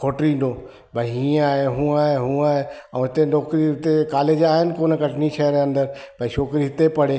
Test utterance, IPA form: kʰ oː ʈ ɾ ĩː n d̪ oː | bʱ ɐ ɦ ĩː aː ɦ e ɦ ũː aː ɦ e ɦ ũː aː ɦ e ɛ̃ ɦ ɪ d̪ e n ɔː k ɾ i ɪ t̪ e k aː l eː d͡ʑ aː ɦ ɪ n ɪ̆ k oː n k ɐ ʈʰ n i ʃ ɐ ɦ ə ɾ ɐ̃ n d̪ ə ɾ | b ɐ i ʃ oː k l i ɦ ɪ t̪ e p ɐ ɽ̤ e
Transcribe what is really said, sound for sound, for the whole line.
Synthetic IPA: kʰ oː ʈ ɾ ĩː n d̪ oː | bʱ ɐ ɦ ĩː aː ɦ e ɦ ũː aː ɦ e ɦ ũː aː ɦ e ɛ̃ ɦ ɪ t̪ e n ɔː k ɾ i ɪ t̪ e k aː l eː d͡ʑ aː ɦ ɪ n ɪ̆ k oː n k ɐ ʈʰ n i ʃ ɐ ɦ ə ɾ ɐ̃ n d̪ ə ɾ | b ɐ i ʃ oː k ɾ i ɦ ɪ t̪ e p ɐ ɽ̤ e